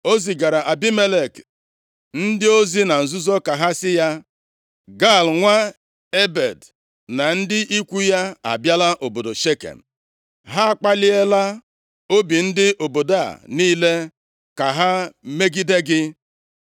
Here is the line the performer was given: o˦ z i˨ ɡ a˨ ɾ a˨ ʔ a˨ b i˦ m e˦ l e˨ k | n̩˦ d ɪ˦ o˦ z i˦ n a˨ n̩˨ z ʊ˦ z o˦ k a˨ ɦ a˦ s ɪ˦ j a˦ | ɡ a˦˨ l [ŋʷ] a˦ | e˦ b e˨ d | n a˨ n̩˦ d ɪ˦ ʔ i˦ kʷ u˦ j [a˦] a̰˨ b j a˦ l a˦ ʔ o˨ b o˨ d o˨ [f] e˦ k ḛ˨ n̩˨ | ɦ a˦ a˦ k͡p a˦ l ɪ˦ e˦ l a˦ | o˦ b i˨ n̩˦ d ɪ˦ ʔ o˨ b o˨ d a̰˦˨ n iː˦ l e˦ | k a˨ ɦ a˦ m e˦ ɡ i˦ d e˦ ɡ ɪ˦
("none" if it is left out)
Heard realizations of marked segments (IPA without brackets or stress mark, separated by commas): ŋʷ, a˦, ʃ